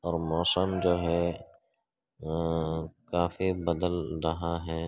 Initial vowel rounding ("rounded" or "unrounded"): rounded